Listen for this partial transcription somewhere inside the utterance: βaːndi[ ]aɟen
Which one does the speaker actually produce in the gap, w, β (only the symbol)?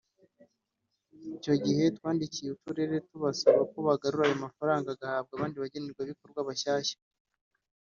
β